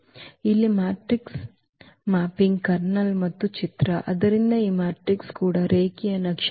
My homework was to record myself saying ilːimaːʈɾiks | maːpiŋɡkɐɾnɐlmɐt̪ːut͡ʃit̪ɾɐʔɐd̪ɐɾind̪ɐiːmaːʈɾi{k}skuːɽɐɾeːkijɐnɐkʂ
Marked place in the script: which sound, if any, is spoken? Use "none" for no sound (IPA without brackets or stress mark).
k